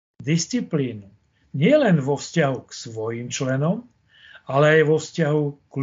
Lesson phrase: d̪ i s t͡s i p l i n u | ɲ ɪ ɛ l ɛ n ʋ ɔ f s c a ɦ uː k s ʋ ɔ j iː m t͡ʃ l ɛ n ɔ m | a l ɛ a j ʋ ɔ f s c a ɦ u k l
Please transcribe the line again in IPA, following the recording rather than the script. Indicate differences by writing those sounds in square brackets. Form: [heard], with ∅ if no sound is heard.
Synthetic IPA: d̪ i s t͡s i p l [iː] n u | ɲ ɪ ɛ l ɛ n ʋ ɔ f s c a ɦ [u] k s ʋ ɔ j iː m t͡ʃ l ɛ n ɔ m | a l ɛ a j ʋ ɔ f s c a ɦ u k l